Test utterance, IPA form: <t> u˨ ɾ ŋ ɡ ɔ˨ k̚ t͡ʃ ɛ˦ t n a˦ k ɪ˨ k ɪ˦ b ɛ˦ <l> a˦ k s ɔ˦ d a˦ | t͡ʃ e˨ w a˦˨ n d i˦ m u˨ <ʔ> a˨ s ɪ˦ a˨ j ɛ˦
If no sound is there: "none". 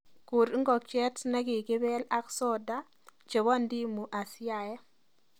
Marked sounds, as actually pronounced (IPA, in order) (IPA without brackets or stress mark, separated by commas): k, l, ʔ